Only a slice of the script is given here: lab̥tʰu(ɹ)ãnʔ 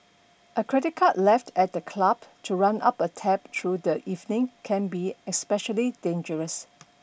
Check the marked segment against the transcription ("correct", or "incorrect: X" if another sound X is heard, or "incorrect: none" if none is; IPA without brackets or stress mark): correct